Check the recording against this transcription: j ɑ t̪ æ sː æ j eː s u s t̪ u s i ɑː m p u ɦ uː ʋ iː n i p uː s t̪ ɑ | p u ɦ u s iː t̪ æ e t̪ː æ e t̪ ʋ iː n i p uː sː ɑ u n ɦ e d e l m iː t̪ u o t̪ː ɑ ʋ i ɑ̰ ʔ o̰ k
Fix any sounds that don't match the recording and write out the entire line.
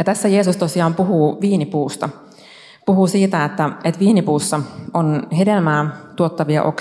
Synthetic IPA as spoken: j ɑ t̪ æ sː æ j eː s u s t̪ o s i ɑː m p u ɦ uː ʋ iː n i p uː s t̪ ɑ | p u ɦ u s iː t̪ æ e t̪ː æ e t̪ ʋ iː n i p uː sː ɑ o n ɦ e d e l m æː t̪ u o t̪ː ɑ ʋ i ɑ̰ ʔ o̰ k